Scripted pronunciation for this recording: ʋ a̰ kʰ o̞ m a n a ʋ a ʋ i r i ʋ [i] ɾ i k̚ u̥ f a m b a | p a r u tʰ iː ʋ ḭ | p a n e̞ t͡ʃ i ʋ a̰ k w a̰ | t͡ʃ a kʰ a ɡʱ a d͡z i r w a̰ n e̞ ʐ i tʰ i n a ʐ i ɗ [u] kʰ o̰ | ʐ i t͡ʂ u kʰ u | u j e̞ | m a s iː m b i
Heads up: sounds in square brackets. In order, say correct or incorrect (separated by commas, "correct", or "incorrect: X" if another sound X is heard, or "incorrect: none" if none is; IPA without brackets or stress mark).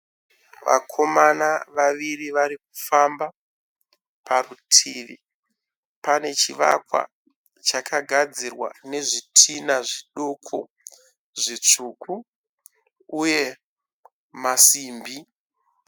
incorrect: a, incorrect: o